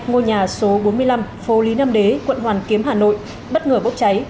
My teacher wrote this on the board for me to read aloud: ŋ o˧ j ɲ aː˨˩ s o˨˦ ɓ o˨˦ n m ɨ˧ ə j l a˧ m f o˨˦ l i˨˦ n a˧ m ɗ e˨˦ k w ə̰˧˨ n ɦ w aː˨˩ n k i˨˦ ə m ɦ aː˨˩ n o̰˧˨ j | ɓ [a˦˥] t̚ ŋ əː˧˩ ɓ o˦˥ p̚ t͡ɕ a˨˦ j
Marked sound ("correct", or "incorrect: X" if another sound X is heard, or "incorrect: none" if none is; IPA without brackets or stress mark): incorrect: ə˦˥